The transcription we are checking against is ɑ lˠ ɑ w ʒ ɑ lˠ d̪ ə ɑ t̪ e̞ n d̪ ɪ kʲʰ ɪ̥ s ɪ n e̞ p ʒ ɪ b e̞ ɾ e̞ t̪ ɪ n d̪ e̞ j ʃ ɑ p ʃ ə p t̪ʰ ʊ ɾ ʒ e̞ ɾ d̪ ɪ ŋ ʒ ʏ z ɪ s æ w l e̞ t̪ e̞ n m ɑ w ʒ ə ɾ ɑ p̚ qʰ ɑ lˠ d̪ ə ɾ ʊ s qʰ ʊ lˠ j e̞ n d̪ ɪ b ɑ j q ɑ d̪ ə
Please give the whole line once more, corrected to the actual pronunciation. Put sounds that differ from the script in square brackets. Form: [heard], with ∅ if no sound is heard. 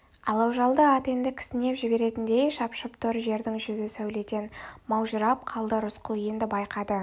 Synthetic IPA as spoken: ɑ lˠ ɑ w ʒ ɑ lˠ d̪ ə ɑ t̪ e̞ n d̪ ɪ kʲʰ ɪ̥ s ɪ n e̞ p ʒ ɪ b e̞ ɾ e̞ t̪ ɪ n d̪ e̞ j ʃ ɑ p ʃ ə p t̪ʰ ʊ ɾ ʒ e̞ ɾ d̪ ɪ ŋ ʒ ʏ z ɪ s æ w l e̞ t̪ e̞ n m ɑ w ʒ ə ɾ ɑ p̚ qʰ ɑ lˠ d̪ ə ɾ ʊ s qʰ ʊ lˠ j e̞ n d̪ ɪ b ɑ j q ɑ d̪ ə